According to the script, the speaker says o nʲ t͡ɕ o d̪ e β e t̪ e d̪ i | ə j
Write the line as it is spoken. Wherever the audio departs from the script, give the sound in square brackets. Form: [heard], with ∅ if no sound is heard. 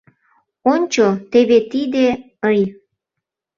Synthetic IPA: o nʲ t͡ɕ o [t̪] e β e t̪ [i] d̪ [e] | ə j